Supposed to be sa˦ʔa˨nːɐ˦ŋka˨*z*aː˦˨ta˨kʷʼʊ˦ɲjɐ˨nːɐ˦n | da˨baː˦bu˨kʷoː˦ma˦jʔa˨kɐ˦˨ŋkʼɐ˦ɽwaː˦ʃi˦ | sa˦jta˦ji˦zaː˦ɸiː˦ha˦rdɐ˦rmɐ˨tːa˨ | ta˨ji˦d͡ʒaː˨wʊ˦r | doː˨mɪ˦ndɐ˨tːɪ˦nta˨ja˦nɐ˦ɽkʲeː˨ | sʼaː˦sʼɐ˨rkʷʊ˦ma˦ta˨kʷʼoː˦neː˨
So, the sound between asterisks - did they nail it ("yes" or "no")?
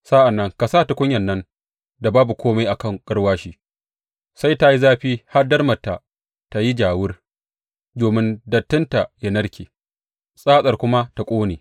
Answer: no